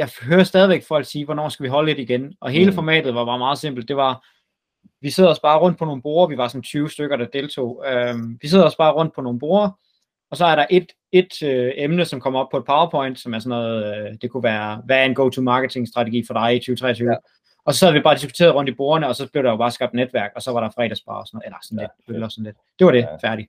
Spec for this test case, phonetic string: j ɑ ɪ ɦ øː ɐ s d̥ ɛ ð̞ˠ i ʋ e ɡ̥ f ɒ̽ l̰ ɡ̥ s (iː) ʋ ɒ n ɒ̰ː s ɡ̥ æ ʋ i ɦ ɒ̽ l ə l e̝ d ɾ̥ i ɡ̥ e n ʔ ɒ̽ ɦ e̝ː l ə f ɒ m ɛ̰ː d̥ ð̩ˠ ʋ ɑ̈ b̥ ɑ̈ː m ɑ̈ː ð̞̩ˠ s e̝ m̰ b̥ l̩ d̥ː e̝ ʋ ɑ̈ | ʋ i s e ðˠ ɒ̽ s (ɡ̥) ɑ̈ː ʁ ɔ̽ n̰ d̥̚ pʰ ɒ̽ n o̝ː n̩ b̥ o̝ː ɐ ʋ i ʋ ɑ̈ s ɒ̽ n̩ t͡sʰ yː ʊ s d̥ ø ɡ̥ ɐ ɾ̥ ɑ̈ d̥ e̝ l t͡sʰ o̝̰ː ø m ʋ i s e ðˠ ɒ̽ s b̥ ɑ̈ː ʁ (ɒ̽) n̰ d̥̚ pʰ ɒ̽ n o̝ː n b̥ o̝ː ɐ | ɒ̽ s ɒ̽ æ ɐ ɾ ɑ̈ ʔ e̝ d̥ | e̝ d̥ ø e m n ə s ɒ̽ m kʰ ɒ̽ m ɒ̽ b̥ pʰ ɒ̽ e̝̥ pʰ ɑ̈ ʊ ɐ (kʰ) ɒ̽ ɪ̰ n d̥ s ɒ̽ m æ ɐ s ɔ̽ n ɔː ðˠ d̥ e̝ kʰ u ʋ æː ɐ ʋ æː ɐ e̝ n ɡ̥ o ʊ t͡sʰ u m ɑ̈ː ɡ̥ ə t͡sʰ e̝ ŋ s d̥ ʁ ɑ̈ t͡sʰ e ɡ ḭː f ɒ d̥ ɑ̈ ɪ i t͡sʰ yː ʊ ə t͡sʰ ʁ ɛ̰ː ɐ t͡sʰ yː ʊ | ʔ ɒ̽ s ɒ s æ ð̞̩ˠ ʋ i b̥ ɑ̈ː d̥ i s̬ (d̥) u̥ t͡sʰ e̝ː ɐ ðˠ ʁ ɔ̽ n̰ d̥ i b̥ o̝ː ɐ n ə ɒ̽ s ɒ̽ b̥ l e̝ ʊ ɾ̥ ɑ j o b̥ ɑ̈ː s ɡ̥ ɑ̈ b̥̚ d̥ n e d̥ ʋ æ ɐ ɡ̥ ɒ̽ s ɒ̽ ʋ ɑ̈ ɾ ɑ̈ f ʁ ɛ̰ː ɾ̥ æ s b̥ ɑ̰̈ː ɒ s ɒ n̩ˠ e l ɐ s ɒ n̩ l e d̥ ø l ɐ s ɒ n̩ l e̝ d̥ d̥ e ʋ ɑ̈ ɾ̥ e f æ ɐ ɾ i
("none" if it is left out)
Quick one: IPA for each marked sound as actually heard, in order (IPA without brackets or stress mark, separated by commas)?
iː, b̥, ɔ̽, pʰ, ɡ̥